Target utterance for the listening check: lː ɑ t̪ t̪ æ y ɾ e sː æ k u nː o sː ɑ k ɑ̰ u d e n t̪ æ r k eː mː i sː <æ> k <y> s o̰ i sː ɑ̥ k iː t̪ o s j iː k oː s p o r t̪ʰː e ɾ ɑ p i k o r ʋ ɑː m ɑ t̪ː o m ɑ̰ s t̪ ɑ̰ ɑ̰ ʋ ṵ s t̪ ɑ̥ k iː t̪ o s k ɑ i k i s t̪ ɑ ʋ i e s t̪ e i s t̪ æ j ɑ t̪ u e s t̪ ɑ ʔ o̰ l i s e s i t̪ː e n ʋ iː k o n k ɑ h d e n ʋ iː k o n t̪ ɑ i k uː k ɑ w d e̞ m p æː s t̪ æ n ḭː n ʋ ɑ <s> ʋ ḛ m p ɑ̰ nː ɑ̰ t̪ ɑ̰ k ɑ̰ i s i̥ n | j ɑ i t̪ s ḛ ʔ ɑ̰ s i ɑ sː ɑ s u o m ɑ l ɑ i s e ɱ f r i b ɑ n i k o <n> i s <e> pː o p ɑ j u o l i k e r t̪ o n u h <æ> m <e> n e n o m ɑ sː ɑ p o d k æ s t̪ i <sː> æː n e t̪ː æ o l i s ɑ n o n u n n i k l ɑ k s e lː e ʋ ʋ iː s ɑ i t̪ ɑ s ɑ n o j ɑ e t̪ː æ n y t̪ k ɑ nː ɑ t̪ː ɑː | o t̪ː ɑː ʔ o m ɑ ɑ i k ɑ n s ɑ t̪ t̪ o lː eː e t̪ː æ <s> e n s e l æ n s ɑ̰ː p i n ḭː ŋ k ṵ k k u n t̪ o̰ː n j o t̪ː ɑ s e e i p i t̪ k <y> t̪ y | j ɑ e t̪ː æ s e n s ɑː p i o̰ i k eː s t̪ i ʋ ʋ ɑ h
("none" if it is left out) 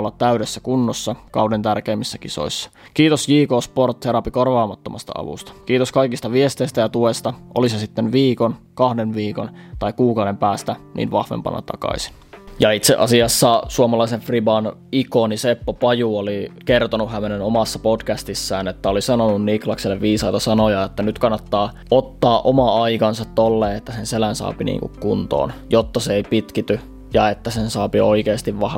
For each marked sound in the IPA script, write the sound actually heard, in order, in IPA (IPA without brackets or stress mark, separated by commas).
æ, i, h, n, e, æ, e, sː, s, i